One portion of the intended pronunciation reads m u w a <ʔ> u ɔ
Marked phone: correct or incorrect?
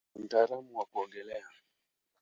incorrect